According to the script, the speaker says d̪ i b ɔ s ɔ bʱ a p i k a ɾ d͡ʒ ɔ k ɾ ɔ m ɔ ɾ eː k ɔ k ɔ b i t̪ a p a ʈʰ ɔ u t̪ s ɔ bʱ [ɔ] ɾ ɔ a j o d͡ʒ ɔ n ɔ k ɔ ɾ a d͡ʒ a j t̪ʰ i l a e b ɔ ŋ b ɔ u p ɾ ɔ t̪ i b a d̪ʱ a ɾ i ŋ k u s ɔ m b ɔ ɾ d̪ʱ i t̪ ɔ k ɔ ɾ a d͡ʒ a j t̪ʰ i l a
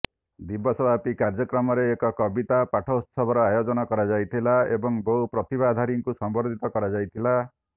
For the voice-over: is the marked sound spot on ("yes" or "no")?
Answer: yes